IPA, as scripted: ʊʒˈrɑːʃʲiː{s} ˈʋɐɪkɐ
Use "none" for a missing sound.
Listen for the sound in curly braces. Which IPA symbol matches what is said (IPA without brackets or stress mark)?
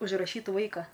t